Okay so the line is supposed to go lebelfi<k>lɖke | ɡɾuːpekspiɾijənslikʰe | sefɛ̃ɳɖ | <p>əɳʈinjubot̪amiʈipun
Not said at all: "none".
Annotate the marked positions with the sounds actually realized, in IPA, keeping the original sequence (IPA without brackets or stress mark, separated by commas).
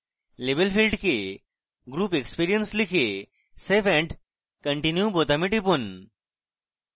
none, k